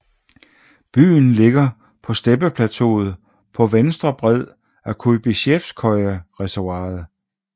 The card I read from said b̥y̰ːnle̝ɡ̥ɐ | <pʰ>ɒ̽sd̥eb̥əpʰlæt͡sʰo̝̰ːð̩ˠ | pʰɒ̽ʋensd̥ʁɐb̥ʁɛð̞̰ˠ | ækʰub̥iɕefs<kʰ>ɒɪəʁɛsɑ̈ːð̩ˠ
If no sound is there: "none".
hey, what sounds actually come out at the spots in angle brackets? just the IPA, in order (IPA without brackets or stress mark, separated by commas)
pʰ, kʰ